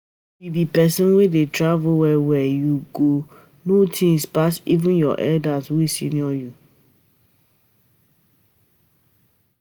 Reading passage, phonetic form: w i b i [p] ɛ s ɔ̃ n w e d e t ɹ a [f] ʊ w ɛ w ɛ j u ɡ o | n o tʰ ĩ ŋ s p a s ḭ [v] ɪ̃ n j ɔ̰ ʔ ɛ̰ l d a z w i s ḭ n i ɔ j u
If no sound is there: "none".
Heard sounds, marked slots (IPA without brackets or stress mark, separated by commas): p, v, v